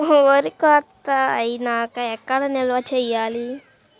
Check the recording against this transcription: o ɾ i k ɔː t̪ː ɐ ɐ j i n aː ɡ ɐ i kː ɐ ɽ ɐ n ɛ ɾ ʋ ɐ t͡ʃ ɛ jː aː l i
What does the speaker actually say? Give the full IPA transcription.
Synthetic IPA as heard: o ɾ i k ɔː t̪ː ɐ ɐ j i n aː k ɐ ɛ kː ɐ ɽ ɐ n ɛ l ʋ ɐ t͡ʃ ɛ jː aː l i